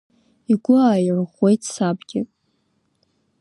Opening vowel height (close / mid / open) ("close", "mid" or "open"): close